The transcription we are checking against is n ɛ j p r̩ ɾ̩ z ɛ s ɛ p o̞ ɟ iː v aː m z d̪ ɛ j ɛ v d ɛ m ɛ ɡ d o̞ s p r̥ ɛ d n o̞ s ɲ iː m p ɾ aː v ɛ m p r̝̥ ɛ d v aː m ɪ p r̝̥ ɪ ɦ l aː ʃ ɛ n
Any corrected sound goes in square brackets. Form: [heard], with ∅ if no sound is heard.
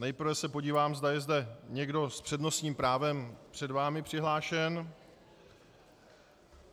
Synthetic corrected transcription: n ɛ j p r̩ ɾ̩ [v] ɛ s ɛ p o̞ ɟ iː v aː m z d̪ [a] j ɛ [z] d ɛ [ɲ] ɛ ɡ d o̞ s p r̥ ɛ d n o̞ s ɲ iː m p ɾ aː v ɛ m p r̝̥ ɛ d v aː m ɪ p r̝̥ ɪ ɦ l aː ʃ ɛ n